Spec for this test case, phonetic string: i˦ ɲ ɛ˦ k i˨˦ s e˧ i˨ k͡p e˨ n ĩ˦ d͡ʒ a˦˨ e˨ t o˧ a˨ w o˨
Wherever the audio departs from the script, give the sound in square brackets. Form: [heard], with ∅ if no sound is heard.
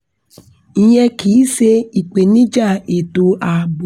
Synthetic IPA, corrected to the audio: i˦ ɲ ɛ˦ k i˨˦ s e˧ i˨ k͡p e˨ n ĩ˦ d͡ʒ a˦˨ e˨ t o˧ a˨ [b] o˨